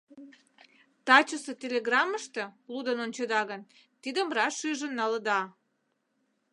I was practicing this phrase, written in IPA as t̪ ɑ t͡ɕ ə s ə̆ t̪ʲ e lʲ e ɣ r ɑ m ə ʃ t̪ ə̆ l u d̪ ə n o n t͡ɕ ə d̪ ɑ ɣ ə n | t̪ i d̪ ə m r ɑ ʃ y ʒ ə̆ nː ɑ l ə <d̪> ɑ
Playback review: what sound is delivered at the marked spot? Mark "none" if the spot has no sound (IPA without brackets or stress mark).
d̪